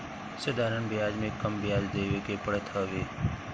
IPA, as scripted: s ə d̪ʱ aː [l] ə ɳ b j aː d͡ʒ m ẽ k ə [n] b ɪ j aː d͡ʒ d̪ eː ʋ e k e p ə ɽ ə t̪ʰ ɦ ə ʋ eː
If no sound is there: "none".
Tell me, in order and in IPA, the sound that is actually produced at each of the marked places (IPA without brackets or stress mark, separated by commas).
ɾ, m